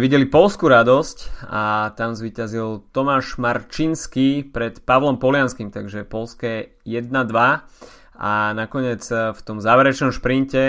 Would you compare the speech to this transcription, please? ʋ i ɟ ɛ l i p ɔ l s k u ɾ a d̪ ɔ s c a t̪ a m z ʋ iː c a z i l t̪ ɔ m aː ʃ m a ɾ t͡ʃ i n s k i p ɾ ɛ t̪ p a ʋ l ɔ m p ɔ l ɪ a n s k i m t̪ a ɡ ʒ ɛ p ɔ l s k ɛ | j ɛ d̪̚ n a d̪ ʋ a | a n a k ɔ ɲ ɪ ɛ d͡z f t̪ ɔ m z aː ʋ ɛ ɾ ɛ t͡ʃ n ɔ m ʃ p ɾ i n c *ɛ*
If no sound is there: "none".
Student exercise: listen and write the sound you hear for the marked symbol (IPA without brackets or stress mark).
ɛ